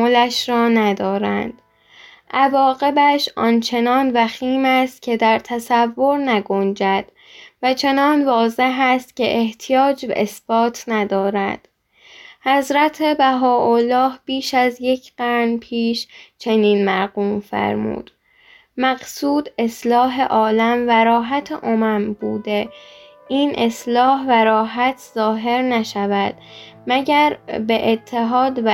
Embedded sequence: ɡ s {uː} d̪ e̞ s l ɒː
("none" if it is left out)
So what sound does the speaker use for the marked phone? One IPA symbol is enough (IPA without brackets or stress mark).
uː